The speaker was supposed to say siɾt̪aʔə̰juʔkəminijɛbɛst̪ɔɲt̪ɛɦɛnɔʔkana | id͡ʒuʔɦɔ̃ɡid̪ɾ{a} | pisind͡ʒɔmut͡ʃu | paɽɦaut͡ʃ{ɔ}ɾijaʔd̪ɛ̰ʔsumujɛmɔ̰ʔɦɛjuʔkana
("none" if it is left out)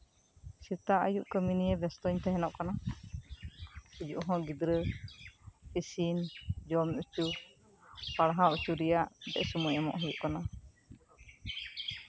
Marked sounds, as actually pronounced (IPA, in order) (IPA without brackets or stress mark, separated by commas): ə, u